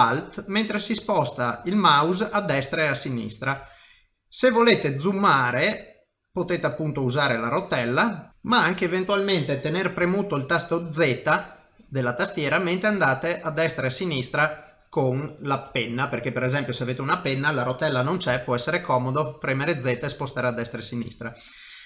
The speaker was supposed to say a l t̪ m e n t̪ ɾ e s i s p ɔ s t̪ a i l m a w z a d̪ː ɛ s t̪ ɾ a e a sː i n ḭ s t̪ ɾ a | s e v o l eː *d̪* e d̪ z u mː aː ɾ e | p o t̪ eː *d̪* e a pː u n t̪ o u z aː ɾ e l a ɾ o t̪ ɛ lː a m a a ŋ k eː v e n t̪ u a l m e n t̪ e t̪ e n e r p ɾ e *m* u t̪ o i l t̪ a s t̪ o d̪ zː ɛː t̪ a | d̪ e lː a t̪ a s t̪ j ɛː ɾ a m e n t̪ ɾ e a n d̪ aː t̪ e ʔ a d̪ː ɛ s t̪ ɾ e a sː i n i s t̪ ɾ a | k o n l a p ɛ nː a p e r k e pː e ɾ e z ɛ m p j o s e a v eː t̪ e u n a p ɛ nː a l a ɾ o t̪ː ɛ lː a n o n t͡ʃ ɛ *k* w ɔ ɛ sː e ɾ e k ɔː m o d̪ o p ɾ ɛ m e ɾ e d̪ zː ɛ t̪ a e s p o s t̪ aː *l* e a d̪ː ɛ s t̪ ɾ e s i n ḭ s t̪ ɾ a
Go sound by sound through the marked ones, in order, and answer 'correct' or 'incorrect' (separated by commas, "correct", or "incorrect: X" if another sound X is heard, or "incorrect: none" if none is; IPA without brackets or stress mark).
incorrect: t̪, incorrect: t̪, correct, incorrect: p, incorrect: ɾ